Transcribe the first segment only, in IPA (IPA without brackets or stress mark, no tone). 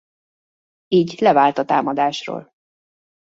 iː